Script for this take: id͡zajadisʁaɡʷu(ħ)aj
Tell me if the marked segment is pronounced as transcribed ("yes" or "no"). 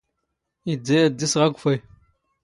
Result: no